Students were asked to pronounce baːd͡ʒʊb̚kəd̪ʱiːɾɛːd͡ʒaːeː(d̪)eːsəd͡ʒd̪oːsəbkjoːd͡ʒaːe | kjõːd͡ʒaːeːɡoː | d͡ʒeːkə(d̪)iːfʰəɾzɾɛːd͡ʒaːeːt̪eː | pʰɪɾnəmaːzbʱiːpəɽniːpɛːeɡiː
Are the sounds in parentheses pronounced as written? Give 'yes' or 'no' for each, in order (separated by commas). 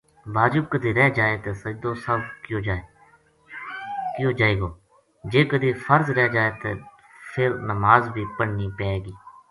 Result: no, yes